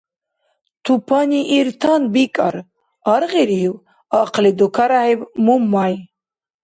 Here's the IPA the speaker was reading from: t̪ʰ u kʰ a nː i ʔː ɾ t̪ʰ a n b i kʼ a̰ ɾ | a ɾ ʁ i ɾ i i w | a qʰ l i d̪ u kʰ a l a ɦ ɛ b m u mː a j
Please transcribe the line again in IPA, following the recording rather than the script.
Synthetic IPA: t̪ʰ u pʰ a n i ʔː ɾ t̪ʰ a n b i kʼ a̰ ɾ | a ɾ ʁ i ɾ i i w | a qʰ l i d̪ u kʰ a ɾ a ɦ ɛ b m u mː a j